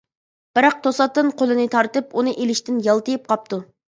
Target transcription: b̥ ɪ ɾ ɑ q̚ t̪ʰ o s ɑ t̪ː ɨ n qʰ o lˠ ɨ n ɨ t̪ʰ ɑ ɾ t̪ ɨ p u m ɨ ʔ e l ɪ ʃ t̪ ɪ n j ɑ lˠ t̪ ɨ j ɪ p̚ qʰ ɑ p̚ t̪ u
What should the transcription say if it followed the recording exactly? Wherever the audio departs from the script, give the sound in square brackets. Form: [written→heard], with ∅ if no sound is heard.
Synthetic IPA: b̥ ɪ ɾ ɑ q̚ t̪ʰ o s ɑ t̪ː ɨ n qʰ o lˠ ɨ n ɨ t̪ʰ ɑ ɾ t̪ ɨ p u [m→n] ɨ ʔ e l ɪ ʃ t̪ ɪ n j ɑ lˠ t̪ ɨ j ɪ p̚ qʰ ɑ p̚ t̪ u